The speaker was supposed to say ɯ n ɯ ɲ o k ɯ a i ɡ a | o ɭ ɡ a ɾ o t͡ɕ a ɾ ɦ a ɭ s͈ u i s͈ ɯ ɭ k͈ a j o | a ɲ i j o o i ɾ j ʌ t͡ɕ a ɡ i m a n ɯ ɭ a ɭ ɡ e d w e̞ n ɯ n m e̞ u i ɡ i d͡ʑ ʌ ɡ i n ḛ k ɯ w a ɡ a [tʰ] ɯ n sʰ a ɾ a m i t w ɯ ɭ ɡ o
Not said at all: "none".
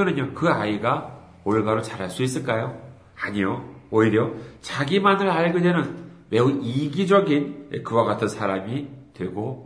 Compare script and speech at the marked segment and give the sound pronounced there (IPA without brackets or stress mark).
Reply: tʰ